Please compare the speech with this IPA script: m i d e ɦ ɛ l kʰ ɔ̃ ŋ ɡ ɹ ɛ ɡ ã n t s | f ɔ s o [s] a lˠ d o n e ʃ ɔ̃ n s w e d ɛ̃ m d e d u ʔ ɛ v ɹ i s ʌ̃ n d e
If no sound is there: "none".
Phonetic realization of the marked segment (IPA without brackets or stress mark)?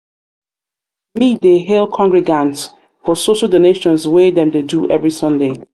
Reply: ʃ